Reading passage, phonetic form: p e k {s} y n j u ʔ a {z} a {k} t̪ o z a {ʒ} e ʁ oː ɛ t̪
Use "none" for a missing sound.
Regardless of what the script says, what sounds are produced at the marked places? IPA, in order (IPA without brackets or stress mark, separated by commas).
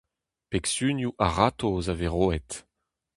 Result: s, ʁ, none, v